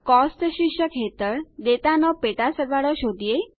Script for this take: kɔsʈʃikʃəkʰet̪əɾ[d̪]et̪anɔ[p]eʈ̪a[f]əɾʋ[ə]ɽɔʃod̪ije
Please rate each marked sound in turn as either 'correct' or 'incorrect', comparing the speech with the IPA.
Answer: correct, correct, incorrect, incorrect

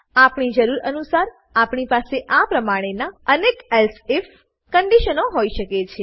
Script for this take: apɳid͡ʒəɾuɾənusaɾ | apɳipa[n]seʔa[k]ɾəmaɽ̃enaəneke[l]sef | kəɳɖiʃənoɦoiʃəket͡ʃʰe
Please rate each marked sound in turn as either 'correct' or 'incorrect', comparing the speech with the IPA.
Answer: incorrect, incorrect, correct

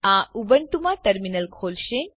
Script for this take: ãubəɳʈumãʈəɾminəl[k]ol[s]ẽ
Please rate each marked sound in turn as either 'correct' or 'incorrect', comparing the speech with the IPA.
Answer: incorrect, incorrect

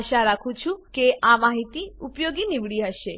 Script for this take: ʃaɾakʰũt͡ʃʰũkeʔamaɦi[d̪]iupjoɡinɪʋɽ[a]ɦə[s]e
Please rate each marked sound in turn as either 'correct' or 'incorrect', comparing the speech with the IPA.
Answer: incorrect, incorrect, incorrect

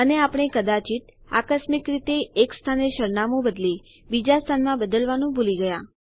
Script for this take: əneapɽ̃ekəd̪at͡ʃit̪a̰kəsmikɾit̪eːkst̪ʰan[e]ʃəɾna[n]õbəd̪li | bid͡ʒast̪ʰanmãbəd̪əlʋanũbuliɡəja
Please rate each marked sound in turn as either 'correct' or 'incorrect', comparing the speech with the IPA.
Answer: correct, incorrect

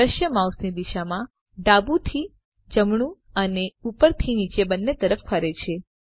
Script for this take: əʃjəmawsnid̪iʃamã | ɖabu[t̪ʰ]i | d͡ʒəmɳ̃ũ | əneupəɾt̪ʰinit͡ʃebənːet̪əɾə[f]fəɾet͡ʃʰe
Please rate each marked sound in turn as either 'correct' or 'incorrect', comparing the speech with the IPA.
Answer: correct, correct

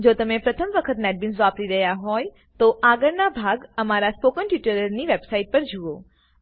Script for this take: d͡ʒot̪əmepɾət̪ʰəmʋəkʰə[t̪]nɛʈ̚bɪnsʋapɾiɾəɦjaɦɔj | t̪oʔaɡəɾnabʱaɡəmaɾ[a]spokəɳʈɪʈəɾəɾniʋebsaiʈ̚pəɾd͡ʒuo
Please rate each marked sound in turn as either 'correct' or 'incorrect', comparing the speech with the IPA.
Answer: correct, correct

